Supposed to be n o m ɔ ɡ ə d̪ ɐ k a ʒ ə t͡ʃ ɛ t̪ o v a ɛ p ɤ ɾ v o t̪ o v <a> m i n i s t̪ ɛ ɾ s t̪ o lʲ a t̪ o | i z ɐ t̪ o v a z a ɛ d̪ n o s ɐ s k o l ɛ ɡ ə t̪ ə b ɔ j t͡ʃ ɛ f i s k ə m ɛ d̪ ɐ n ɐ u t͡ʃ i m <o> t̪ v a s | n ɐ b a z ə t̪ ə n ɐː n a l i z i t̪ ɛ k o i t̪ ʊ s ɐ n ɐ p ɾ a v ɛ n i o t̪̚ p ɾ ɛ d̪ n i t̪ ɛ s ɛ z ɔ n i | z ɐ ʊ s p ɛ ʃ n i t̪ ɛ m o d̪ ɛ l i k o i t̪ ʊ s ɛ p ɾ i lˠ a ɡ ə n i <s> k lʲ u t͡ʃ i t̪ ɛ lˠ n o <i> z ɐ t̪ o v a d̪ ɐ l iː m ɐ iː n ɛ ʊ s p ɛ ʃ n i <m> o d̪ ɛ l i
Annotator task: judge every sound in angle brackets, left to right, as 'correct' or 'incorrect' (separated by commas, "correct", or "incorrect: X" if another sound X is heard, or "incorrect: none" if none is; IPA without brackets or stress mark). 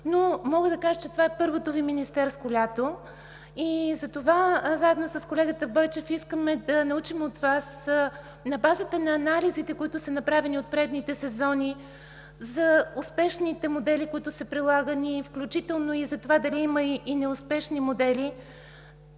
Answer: incorrect: i, correct, incorrect: f, correct, correct